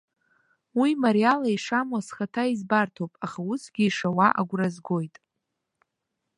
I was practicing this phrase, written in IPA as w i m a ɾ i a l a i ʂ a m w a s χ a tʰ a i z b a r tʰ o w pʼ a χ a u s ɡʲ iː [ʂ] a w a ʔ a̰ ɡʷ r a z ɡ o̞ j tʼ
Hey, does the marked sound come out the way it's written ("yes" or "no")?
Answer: yes